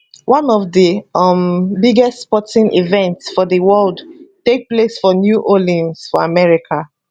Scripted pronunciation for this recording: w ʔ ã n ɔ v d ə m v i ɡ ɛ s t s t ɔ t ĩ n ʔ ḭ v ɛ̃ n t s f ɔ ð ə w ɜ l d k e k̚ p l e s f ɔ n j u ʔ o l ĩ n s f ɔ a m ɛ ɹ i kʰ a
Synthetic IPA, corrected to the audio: w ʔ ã n ɔ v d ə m b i ɡ ɛ s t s p ɔ t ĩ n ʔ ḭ v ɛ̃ n t s f ɔ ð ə w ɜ l d t e k̚ p l e s f ɔ n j u ʔ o l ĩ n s f ɔ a m ɛ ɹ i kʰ a